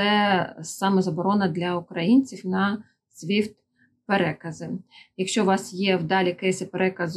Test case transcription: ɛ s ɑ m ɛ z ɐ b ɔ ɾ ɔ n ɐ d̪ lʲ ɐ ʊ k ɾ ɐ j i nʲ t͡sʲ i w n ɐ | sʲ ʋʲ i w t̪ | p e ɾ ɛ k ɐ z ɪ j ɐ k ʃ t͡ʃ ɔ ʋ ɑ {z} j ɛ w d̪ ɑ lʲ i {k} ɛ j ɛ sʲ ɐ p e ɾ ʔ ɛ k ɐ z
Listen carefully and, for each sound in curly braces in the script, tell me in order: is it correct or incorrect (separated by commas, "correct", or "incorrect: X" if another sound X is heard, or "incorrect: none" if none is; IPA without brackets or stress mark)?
incorrect: s, correct